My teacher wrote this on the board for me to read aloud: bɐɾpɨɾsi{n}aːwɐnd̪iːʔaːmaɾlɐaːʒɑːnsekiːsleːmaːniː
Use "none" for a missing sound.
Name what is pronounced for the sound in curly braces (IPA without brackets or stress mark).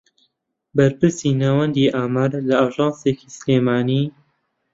n